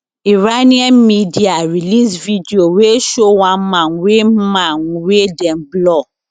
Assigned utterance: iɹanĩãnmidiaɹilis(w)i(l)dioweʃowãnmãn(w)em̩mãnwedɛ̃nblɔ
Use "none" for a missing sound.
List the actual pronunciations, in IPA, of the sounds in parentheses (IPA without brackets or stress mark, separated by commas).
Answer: v, none, w